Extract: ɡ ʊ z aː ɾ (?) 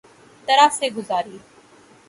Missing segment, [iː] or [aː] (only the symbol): iː